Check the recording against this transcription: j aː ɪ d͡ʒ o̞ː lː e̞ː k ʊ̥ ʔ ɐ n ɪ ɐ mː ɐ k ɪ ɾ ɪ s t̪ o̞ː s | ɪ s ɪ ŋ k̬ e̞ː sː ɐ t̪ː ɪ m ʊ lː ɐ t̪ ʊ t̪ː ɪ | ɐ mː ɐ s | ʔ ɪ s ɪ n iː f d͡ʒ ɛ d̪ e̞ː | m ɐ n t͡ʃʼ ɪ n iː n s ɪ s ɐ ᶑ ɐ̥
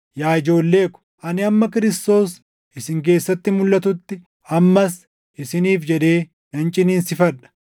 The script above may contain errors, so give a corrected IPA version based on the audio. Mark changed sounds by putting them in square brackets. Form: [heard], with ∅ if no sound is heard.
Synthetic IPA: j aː ɪ d͡ʒ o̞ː lː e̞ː k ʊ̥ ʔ ɐ n ɪ ɐ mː ɐ k ɪ ɾ ɪ s t̪ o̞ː s | ɪ s ɪ ŋ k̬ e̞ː sː ɐ t̪ː ɪ m ʊ lː ɐ t̪ ʊ t̪ː ɪ | ɐ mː ɐ s | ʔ ɪ s ɪ n iː f d͡ʒ ɛ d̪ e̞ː | [n] ɐ n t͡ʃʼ ɪ n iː n s ɪ [f] ɐ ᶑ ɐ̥